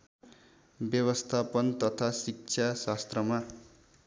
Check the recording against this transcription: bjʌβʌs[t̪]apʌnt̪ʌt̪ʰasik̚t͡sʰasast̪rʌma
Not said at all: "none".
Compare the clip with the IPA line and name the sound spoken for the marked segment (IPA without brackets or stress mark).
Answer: t̪ʰ